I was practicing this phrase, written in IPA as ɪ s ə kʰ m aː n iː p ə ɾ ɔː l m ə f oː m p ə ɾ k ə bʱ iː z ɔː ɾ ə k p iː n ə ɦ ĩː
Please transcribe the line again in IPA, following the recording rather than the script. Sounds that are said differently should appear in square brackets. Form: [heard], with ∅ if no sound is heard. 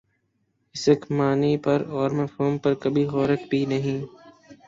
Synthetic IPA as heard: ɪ s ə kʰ m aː n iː p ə ɾ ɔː [ɾ] m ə f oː m p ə ɾ k ə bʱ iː [ɣ] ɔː ɾ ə k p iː n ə ɦ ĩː